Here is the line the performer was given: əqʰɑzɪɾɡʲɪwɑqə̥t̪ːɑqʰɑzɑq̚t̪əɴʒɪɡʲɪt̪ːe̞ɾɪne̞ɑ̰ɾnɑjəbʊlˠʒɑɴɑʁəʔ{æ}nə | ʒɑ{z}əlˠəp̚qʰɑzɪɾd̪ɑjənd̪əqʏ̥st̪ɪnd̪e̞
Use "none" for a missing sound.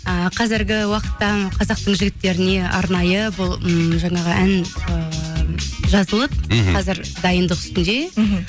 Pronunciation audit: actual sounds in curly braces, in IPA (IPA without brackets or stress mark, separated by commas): æ, z